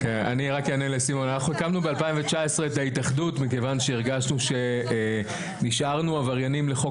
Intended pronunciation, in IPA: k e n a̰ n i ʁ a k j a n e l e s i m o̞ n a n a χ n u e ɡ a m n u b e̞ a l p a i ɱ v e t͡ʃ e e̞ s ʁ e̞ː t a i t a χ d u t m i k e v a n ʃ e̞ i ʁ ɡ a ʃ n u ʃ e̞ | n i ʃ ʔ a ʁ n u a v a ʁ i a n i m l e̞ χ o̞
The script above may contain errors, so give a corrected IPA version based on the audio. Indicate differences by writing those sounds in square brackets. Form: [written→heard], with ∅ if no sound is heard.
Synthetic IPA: k e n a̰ n i ʁ a k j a n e l e s i m o̞ n a n a χ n u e [ɡ→k] a m n u b e̞ a l p a i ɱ v e t͡ʃ [e→a] e̞ s ʁ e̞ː t a i t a χ d u t m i k e v a n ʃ e̞ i ʁ ɡ a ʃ n u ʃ e̞ | n i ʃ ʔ a ʁ n u a v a ʁ [i→j] a n i m l e̞ χ o̞